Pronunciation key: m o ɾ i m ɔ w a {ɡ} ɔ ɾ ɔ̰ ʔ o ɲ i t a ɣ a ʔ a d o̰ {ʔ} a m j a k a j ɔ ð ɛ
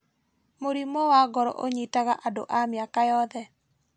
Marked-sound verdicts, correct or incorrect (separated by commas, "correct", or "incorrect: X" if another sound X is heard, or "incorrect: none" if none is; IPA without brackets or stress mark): correct, correct